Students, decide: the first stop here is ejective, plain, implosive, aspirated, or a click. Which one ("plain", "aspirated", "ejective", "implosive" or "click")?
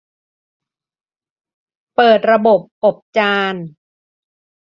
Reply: plain